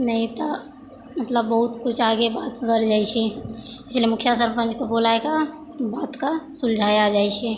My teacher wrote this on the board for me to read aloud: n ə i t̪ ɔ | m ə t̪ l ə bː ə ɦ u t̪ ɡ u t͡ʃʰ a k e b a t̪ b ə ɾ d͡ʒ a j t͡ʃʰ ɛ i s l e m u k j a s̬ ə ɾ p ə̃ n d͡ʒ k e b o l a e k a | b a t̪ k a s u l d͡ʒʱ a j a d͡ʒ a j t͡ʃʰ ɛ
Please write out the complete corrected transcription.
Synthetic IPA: n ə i t̪ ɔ | m ə t̪ l ə bː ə ɦ u t̪ k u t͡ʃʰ a ɡ e b a t̪ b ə ɾ d͡ʒ a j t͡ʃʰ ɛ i s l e m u kʰ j a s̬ ə ɾ p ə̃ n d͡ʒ k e b o l a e k a | b a t̪ k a s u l d͡ʒʱ a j a d͡ʒ a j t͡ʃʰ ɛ

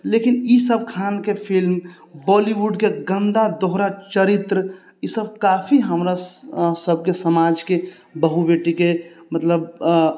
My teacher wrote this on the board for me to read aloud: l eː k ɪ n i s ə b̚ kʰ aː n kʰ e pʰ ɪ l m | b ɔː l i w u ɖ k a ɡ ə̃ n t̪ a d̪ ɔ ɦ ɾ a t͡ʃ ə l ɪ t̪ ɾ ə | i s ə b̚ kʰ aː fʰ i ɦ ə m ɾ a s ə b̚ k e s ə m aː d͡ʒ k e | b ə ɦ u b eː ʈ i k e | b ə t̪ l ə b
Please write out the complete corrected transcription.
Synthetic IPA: l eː k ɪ n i s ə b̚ kʰ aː n k e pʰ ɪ l m | b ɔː l i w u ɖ k e ɡ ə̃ n d̪ a d̪ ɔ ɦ ɾ a t͡ʃ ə ɾ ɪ t̪ ɾ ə | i s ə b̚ k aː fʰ i ɦ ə m ɾ a s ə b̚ k e s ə m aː d͡ʒ k e | b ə ɦ u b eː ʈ i k e | m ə t̪ l ə b

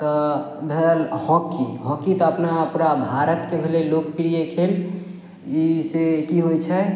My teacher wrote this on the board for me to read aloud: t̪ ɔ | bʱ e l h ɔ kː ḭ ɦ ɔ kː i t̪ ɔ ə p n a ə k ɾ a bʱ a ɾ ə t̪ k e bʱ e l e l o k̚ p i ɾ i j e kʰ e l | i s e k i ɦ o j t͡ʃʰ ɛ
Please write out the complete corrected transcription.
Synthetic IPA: t̪ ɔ | bʱ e l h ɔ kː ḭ ɦ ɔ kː i t̪ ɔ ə p n a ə p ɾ a bʱ a ɾ ə t̪ k e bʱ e l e l o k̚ p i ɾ i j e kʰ e l | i s e k i ɦ o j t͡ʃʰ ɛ

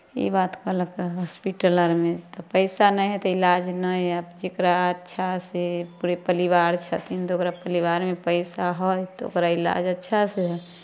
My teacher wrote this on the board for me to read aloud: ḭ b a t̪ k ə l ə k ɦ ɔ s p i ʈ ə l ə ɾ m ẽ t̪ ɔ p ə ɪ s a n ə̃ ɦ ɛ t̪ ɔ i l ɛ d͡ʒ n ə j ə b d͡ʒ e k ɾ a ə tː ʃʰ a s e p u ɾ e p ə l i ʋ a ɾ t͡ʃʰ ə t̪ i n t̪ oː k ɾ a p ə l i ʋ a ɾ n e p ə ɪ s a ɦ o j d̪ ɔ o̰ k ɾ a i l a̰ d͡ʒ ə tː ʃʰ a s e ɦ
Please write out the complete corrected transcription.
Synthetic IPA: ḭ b a t̪ k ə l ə k ɦ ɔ s p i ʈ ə l ə ɾ m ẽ t̪ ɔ p ə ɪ s a n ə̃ ɦ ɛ t̪ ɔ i l a d͡ʒ n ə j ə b d͡ʒ e k ɾ a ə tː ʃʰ a s e p u ɾ e p ə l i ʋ a ɾ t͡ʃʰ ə t̪ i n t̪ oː k ɾ a p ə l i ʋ a ɾ m e p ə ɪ s a ɦ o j t̪ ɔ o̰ k ɾ a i l a̰ d͡ʒ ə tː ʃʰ a s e ɦ

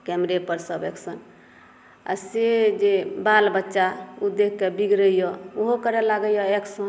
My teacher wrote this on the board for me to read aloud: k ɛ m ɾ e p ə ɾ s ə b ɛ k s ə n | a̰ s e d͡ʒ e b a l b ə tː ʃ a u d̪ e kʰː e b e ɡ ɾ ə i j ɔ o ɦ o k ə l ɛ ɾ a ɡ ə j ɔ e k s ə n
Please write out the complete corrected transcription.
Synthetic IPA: k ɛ m ɾ e p ə ɾ s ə b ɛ k s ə n | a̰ s e d͡ʒ e b a l b ə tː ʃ a u d̪ e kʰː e b i ɡ ɾ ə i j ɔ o ɦ o k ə ɾ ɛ l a ɡ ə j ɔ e k s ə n

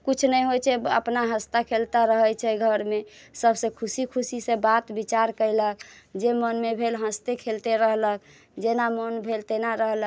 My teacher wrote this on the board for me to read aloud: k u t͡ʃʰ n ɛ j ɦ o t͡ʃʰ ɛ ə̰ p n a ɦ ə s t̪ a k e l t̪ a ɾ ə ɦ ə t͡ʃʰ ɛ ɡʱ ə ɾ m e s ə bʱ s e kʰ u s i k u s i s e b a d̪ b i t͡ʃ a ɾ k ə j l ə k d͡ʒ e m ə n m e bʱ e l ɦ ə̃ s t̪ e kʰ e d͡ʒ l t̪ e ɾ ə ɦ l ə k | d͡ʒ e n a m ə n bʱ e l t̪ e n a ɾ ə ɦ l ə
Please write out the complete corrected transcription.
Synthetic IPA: k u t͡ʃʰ n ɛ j ɦ o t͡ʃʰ ɛ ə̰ p n a ɦ ə s t̪ a kʰ e l t̪ a ɾ ə ɦ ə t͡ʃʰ ɛ ɡʱ ə ɾ m e s ə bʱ s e kʰ u s i kʰ u s i s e b a t̪ b i t͡ʃ a ɾ k ə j l ə k d͡ʒ e m ə n m e bʱ e l ɦ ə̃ s t̪ e kʰ e l t̪ e ɾ ə ɦ l ə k | d͡ʒ e n a m ə n bʱ e l t̪ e n a ɾ ə ɦ l ə

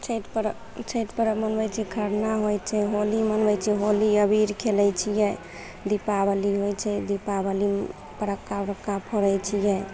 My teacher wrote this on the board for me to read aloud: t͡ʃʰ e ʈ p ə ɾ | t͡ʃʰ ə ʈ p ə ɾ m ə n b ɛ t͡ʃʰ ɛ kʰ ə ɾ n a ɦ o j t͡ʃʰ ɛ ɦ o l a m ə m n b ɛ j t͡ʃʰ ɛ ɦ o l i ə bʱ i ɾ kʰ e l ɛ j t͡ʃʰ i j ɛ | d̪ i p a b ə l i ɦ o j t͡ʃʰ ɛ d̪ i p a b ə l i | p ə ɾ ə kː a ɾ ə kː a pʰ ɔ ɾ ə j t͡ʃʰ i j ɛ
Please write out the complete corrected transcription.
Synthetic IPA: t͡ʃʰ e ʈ p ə ɾ | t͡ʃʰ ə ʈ p ə ɾ m ə n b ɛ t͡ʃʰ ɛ kʰ ə ɾ n a ɦ o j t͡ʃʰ ɛ ɦ o l i m ə n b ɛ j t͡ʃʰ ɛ ɦ o l i ə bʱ i ɾ kʰ e l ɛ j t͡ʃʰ i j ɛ | d̪ i p a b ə l i ɦ o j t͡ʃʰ ɛ d̪ i p a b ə l i | p ə ɾ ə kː a ɾ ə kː a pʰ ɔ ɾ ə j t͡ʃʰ i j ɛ

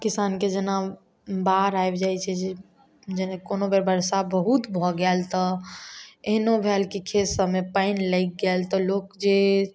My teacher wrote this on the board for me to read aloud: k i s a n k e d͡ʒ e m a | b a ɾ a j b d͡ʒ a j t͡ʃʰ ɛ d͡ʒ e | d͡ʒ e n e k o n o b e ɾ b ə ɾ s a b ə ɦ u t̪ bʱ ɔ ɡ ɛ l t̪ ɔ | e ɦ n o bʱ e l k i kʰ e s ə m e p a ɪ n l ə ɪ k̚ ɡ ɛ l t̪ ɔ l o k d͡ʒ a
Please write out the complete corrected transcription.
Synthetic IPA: k i s a n k e d͡ʒ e n a | b a ɾ a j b d͡ʒ a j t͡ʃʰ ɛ d͡ʒ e | d͡ʒ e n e k o n o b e ɾ b ə ɾ s a b ə ɦ u t̪ bʱ ɔ ɡ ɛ l t̪ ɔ | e ɦ n o bʱ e l k i kʰ e s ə m e p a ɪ n l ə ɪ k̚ ɡ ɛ l t̪ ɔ l o k d͡ʒ e

